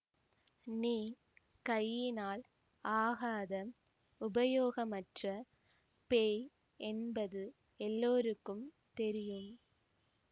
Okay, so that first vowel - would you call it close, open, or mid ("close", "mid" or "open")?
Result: close